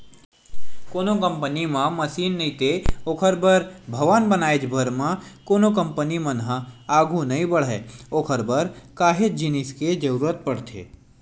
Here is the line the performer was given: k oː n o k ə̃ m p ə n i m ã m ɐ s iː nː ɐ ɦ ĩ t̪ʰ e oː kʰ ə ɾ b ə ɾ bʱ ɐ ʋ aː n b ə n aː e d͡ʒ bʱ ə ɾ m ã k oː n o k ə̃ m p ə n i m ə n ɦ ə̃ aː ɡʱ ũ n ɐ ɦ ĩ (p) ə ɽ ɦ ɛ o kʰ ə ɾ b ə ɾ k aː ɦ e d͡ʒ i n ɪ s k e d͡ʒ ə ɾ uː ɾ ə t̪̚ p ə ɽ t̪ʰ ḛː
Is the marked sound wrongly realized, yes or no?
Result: yes